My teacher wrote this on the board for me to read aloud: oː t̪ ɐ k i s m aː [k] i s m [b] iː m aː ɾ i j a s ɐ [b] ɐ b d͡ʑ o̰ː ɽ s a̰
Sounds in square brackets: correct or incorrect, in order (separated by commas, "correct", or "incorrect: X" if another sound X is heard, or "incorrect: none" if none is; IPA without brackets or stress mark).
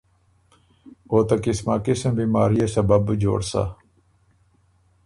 correct, correct, correct